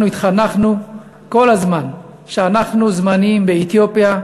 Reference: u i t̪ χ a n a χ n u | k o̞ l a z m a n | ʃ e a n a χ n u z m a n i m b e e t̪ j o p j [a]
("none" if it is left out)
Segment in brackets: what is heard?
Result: a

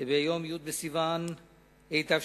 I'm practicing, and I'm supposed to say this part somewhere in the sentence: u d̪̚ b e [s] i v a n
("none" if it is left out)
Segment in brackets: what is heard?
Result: s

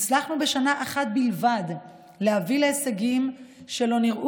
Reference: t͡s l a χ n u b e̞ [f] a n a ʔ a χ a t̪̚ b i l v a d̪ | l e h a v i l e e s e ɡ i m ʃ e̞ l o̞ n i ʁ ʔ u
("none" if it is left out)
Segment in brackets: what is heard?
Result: ʃ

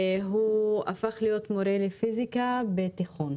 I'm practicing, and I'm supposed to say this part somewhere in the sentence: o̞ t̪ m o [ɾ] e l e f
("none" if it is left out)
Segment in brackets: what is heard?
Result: ɾ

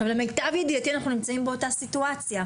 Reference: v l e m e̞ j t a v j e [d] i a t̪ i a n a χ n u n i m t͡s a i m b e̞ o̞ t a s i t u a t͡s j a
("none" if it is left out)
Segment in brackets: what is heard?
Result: d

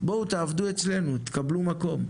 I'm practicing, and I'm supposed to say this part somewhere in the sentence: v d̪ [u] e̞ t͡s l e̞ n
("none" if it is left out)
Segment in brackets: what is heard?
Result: u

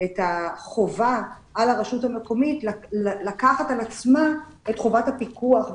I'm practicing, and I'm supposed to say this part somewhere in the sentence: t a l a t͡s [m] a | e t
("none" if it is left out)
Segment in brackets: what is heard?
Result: m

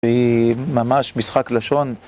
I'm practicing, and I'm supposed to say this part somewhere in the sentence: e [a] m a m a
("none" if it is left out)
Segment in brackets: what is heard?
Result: i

